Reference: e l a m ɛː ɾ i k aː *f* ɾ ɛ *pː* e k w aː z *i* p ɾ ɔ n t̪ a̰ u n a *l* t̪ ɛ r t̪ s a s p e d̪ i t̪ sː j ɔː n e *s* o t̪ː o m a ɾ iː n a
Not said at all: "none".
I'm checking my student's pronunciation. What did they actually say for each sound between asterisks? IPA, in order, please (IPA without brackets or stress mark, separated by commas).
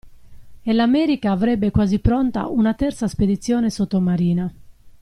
v, bː, i, none, s